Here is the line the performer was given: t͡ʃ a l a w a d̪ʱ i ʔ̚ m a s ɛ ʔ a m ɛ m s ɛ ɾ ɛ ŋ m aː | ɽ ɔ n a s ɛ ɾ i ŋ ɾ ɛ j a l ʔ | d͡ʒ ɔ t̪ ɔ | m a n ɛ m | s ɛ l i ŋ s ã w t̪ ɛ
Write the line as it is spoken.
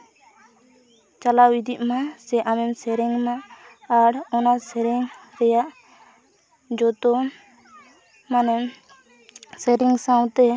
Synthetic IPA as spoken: t͡ʃ a l a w i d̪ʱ i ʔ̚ m a s ɛ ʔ a m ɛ m s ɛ ɾ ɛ ŋ m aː | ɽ ɔ n a s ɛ ɾ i ŋ ɾ ɛ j a ʔ | d͡ʒ ɔ t̪ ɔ | m a n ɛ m | s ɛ ɾ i ŋ s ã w t̪ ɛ